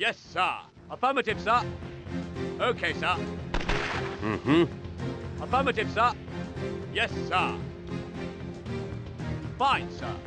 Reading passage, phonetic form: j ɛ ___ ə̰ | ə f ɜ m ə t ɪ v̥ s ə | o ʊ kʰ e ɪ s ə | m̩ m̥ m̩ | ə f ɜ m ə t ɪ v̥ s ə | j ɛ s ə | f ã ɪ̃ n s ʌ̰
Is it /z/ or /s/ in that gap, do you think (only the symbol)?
s